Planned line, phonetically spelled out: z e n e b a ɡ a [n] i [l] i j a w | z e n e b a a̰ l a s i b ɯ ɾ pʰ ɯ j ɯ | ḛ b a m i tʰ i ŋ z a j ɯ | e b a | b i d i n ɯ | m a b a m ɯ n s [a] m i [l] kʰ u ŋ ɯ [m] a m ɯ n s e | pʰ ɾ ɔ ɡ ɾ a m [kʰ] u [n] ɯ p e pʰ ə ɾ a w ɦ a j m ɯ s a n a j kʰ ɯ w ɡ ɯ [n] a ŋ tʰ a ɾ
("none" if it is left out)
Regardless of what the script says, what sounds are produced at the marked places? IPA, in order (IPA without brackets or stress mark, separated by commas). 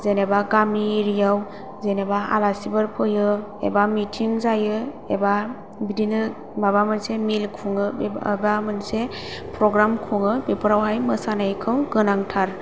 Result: m, ɾ, e, l, b, kʰ, ŋ, n